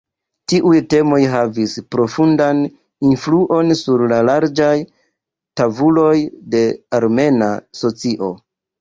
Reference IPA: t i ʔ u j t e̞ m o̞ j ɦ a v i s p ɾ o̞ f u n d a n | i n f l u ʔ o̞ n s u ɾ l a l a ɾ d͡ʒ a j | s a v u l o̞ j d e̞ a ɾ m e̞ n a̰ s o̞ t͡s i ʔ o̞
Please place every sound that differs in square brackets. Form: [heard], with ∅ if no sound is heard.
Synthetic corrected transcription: t i ʔ u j t e̞ m o̞ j ɦ a v i s p ɾ o̞ f u n d a n | i n f l u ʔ o̞ n s u ɾ l a l a ɾ d͡ʒ a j | [t] a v u l o̞ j d e̞ a ɾ m e̞ n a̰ s o̞ t͡s i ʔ o̞